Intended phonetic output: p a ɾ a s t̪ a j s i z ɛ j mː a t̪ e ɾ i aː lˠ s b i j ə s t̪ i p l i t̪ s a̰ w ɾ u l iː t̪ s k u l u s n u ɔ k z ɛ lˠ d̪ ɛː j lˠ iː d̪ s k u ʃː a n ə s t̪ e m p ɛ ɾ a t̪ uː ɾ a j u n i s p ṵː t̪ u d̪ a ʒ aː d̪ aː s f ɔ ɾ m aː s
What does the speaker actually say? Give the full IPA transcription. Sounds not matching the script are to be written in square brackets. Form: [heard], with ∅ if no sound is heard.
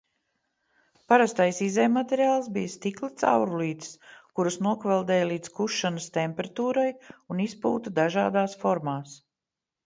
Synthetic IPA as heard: p a ɾ a s t̪ a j s i z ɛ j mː a t̪ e ɾ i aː lˠ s b i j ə s t̪ i [k] l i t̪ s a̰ w ɾ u l iː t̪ s k u [ɾ] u s n u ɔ k [v] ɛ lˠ d̪ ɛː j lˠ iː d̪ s k u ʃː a n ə s t̪ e m p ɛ ɾ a t̪ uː ɾ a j u n i s p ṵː t̪ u d̪ a ʒ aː d̪ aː s f ɔ ɾ m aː s